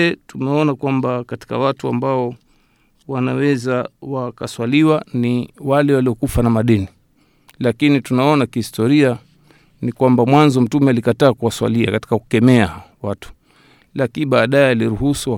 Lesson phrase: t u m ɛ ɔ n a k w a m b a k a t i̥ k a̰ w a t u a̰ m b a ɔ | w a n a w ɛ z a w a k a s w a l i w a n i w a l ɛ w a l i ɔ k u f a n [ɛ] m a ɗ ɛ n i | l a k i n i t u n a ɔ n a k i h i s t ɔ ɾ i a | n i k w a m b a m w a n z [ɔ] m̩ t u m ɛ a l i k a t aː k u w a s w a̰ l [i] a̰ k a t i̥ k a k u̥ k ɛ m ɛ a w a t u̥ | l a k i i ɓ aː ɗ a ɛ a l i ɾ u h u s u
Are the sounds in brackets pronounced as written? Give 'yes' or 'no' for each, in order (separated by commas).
no, yes, yes